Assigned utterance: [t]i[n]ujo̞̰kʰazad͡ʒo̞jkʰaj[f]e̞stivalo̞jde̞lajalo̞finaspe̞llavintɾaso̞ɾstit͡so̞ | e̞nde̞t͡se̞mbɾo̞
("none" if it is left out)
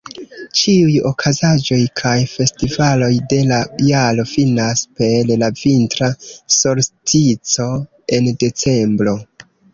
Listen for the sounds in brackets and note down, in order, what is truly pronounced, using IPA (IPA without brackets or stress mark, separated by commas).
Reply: t͡ʃ, none, f